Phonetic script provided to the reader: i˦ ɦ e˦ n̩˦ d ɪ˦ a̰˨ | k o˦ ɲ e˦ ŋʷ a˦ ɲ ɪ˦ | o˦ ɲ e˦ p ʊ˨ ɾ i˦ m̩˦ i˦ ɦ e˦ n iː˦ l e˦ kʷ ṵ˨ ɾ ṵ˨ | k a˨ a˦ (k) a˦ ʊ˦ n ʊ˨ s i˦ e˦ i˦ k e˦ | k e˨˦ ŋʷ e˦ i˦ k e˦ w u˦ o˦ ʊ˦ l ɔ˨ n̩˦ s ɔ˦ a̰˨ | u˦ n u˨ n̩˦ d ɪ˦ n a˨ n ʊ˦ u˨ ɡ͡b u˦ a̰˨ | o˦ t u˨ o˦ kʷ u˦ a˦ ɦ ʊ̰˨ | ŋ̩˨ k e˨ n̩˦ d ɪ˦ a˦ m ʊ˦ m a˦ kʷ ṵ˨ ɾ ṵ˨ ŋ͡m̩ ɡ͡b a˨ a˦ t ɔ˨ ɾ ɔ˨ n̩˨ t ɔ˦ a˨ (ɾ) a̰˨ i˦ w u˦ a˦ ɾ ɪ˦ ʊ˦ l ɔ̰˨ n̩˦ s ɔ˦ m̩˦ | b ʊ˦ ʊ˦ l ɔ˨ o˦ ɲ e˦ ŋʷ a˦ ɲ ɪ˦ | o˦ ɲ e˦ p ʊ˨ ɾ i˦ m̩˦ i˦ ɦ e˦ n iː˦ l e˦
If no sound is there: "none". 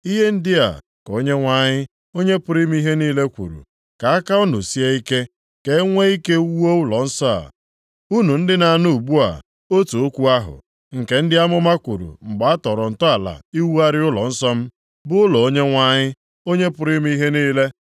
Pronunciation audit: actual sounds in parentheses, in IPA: k, l

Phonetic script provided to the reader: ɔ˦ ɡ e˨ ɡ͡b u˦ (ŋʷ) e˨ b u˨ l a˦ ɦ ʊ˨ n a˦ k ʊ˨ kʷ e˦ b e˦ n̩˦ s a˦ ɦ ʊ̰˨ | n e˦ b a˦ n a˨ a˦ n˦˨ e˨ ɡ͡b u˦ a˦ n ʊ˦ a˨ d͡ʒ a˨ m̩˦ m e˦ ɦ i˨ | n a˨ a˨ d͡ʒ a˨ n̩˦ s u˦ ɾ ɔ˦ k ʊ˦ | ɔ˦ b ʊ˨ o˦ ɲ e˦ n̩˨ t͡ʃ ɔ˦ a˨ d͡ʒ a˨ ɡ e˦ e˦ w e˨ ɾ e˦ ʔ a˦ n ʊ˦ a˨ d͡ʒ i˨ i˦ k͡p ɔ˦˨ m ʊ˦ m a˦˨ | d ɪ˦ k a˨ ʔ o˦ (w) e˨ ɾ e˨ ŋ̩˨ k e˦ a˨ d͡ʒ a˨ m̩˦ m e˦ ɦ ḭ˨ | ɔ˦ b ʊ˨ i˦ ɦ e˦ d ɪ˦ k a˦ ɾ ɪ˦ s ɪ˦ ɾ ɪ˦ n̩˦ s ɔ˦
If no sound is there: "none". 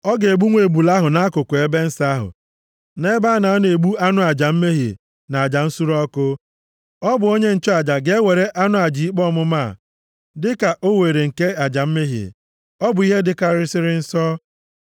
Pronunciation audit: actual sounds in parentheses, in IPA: ŋʷ, w

